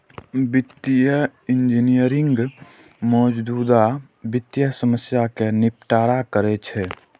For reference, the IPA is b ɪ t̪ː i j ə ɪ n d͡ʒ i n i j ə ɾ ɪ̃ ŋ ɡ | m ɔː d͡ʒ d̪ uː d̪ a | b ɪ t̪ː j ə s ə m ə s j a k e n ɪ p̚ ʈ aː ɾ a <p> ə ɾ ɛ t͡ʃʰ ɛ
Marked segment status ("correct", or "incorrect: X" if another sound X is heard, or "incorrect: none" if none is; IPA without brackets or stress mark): incorrect: k